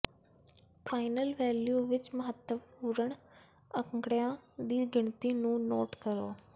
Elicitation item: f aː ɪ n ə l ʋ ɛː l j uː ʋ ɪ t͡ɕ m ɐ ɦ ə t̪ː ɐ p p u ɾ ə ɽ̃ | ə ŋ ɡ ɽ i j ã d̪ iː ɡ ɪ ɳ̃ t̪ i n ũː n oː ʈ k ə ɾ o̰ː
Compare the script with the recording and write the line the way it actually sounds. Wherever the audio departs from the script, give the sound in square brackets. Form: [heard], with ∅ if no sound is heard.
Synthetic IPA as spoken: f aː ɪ n ə l ʋ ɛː l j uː ʋ ɪ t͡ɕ m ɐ ɦ ə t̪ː [ə] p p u ɾ ə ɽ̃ | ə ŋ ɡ ɽ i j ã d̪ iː ɡ ɪ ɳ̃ t̪ i n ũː n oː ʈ k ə ɾ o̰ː